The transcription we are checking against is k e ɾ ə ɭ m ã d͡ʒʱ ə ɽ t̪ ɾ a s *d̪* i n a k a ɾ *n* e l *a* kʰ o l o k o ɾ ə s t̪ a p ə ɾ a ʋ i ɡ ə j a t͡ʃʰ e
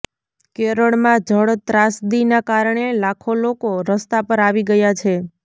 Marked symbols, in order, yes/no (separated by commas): yes, no, yes